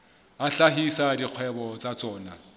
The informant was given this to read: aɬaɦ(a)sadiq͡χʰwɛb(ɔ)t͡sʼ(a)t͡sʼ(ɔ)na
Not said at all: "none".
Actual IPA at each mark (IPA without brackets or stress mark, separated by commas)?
i, ɔ, a, ɔː